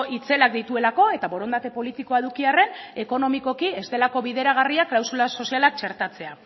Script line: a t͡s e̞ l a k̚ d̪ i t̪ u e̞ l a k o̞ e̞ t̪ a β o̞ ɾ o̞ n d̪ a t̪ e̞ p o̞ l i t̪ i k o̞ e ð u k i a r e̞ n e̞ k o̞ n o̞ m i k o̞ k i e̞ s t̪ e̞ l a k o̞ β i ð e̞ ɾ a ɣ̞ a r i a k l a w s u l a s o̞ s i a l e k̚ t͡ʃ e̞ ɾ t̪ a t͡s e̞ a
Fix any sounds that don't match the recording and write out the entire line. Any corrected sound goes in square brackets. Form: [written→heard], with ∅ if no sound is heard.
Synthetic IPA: [a→i] t͡s e̞ l a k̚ d̪ i t̪ u e̞ l a k o̞ e̞ t̪ a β o̞ ɾ o̞ n d̪ a t̪ e̞ p o̞ l i t̪ i k o̞ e ð u k i a r e̞ n e̞ k o̞ n o̞ m i k o̞ k i e̞ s t̪ e̞ l a k o̞ β i ð e̞ ɾ a ɣ̞ a r i a k l a w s u l a s o̞ s i a l [e→a] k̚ t͡ʃ e̞ ɾ t̪ a t͡s e̞ a